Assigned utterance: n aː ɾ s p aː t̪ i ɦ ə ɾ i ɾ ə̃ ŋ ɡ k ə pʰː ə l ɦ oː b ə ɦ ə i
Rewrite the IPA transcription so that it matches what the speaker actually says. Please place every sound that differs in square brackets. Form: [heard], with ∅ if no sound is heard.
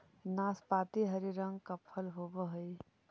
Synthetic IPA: n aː [∅] s p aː t̪ i ɦ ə ɾ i ɾ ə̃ ŋ ɡ k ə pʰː ə l ɦ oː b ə ɦ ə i